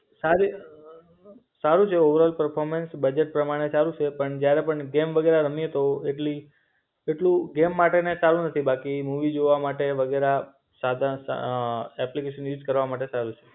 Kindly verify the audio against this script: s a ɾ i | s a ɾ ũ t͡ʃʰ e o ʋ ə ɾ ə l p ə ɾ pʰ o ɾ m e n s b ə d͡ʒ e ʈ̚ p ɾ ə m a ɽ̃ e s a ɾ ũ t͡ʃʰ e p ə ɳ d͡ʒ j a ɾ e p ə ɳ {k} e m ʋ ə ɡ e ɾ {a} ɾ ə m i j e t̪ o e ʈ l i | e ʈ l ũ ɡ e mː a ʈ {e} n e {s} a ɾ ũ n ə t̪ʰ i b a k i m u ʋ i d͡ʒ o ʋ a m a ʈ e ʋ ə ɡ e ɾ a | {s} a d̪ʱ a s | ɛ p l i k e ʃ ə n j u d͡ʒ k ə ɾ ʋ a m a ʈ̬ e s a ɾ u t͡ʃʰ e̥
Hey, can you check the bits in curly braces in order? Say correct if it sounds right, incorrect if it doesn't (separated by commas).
incorrect, correct, correct, correct, correct